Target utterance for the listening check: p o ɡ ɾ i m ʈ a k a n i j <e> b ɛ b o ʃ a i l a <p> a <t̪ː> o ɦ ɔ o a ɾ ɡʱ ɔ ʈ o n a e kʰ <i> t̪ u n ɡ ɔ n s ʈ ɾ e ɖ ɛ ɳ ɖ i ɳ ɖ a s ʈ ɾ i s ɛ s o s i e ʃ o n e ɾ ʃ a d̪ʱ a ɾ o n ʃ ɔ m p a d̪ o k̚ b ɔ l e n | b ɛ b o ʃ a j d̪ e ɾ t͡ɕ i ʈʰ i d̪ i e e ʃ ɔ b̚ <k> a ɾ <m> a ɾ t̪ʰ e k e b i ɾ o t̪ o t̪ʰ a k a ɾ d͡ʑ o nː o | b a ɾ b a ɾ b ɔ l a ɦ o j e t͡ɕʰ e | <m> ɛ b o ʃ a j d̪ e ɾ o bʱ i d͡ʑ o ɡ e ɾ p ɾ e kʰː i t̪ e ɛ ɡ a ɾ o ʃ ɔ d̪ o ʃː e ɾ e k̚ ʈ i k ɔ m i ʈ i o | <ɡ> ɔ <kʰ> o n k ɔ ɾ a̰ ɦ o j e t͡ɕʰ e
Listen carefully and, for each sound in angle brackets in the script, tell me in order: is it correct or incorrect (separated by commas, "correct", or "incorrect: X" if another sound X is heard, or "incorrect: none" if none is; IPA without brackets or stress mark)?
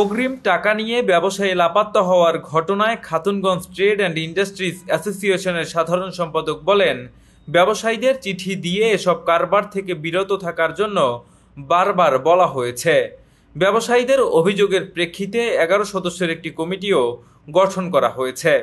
correct, correct, correct, incorrect: a, correct, incorrect: b, incorrect: b, correct, incorrect: ʈʰ